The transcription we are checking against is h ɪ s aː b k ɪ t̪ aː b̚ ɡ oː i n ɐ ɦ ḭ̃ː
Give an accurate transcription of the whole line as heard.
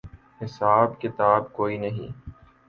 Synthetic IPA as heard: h ɪ s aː b k ɪ t̪ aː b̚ k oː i n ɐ ɦ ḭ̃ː